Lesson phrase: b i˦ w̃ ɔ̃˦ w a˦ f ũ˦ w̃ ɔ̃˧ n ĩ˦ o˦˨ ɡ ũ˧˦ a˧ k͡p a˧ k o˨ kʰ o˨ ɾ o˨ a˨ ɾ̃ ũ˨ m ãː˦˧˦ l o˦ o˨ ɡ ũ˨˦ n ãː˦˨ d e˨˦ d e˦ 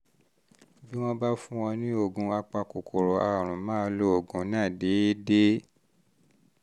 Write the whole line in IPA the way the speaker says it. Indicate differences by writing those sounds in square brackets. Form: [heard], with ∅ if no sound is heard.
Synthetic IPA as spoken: b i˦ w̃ ɔ̃˦ [b] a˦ f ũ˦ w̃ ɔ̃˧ n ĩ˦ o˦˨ ɡ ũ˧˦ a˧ k͡p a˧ k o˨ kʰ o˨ ɾ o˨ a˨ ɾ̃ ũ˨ m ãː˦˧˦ l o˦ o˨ ɡ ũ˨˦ n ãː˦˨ d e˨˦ d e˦

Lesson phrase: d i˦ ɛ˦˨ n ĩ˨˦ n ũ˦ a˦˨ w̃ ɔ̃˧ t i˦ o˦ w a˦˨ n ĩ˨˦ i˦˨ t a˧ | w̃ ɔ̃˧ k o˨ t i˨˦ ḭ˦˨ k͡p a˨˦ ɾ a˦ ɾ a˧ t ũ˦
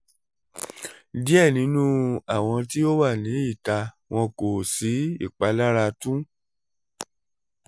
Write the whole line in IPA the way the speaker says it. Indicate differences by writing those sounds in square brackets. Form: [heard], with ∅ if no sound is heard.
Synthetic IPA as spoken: d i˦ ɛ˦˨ n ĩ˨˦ n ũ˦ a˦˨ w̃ ɔ̃˧ t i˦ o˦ w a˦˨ n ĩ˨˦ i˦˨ t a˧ | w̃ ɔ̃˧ k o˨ [s] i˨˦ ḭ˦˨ k͡p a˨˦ [l] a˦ ɾ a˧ t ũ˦

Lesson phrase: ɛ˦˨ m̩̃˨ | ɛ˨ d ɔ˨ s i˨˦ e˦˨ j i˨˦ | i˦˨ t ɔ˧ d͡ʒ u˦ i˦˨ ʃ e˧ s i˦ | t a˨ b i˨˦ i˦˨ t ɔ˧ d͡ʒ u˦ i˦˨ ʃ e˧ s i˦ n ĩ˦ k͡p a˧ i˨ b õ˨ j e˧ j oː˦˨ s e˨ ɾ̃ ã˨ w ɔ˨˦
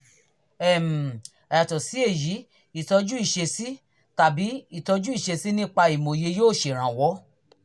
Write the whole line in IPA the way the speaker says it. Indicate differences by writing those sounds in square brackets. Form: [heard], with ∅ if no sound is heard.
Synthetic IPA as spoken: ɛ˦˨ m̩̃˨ | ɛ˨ [t] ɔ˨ s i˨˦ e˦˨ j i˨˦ | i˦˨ t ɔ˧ d͡ʒ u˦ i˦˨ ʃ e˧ s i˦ | t a˨ b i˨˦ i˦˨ t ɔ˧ d͡ʒ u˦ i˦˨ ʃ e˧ s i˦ n ĩ˦ k͡p a˧ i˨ [m] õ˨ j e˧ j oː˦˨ [ʃ] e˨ ɾ̃ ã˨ w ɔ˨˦

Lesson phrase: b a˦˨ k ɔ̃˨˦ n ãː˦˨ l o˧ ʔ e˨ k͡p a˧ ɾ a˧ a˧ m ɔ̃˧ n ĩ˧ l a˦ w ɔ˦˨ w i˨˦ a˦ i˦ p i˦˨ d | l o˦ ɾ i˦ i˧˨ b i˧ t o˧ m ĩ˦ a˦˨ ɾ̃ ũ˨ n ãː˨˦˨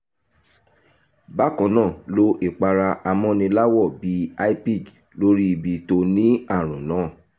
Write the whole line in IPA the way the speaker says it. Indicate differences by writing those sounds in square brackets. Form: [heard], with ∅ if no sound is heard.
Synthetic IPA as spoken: b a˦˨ k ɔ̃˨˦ n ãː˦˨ l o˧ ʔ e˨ k͡p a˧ ɾ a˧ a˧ m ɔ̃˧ n ĩ˧ l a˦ w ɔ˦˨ [b] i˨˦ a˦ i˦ p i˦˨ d | l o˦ ɾ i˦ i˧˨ b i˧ t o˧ [n] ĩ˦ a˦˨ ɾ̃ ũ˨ n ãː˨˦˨

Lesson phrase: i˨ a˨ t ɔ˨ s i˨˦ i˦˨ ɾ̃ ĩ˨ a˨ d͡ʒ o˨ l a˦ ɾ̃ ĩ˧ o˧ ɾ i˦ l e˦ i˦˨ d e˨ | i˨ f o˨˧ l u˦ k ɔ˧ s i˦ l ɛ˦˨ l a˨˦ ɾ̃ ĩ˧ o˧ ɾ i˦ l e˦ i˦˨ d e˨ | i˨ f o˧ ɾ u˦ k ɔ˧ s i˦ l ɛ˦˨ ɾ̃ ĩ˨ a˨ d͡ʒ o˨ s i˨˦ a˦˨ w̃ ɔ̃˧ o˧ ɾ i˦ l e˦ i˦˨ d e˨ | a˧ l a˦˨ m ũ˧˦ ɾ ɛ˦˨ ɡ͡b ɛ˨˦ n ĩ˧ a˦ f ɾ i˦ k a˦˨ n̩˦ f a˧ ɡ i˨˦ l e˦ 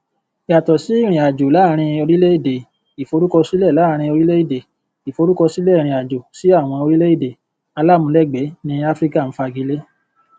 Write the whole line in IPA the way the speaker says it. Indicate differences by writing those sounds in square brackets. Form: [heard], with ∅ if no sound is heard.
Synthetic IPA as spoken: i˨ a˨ t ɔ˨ s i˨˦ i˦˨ ɾ̃ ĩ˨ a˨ d͡ʒ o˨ l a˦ ɾ̃ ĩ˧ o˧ ɾ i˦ l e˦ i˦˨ d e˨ | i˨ f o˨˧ [ɾ] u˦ k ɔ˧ s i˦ l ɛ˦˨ l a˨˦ ɾ̃ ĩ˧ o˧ ɾ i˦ l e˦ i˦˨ d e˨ | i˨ f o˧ ɾ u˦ k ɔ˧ s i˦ l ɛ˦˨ ɾ̃ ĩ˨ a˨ d͡ʒ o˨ s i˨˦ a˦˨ w̃ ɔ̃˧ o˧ ɾ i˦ l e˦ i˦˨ d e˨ | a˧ l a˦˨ m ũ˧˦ [l] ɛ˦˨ ɡ͡b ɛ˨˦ n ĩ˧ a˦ f ɾ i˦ k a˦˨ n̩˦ f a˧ ɡ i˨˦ l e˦

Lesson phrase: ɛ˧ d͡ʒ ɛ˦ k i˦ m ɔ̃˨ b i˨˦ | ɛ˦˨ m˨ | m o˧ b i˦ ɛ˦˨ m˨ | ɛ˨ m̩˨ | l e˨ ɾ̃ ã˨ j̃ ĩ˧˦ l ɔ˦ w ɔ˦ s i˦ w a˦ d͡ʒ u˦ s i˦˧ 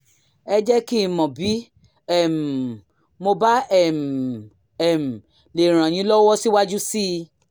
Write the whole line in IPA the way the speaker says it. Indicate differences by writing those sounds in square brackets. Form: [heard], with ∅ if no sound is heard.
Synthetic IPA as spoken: ɛ˧ d͡ʒ ɛ˦ k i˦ m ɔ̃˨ b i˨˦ | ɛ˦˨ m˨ | m o˧ b [a˦] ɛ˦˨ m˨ | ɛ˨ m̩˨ | l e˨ ɾ̃ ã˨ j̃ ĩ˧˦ l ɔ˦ w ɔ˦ s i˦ w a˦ d͡ʒ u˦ s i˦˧

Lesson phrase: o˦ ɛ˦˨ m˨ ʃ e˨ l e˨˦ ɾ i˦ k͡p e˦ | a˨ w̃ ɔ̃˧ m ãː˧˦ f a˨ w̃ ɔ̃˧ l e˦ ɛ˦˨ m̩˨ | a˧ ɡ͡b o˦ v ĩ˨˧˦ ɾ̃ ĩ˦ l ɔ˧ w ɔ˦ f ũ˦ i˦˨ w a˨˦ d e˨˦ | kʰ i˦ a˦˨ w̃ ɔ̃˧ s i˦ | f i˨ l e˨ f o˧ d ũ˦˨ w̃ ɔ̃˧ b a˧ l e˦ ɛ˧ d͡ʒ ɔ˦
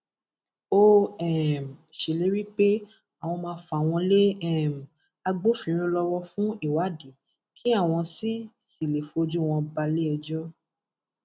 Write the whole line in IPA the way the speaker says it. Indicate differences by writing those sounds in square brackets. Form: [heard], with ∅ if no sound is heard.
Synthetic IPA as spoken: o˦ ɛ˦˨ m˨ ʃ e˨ l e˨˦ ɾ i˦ k͡p e˦ | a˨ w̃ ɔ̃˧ m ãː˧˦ f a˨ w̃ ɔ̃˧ l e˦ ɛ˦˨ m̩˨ | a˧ ɡ͡b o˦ [f] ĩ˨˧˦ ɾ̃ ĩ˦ l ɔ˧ w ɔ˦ f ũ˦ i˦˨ w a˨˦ d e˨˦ | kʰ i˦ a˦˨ w̃ ɔ̃˧ s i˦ | [s] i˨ l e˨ f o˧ [d͡ʒ] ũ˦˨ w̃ ɔ̃˧ b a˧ l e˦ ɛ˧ d͡ʒ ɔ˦

